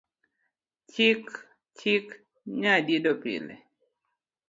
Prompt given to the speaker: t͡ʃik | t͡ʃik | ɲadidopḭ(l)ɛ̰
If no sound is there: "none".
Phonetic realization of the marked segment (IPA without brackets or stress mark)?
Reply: l